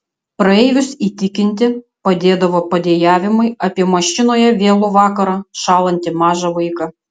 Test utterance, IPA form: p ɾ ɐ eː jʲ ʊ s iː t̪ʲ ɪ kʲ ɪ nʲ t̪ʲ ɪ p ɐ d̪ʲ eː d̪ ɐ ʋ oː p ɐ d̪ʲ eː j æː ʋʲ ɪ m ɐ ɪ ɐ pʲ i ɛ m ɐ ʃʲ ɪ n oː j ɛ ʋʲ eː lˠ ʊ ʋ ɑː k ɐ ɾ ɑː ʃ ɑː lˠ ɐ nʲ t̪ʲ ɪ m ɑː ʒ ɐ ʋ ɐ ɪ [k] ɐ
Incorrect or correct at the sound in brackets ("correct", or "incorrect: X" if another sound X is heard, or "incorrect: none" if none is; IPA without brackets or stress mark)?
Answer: correct